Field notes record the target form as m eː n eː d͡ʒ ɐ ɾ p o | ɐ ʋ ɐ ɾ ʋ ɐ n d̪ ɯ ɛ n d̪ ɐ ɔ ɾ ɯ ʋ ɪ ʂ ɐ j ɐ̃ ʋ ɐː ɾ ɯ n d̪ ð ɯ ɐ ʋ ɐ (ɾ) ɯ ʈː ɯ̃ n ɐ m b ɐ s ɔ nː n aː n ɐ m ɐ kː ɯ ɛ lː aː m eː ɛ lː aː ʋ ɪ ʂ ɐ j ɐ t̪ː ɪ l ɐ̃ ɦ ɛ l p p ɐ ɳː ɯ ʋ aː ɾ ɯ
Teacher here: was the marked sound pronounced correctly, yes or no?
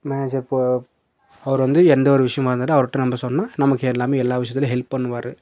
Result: yes